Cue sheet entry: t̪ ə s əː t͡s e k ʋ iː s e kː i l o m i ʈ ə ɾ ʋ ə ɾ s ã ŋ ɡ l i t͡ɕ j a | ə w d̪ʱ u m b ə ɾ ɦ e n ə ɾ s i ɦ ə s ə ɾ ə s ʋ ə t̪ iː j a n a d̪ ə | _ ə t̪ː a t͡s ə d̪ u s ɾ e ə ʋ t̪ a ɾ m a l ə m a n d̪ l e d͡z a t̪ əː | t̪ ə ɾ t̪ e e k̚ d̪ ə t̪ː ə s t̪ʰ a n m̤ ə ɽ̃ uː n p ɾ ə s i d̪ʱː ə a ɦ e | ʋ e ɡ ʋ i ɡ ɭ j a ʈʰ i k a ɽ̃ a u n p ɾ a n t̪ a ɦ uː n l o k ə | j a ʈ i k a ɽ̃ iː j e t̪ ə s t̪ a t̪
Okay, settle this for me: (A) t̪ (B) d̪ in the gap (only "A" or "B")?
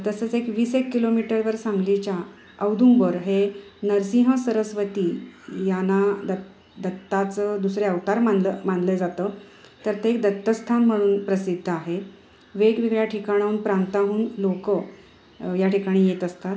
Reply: B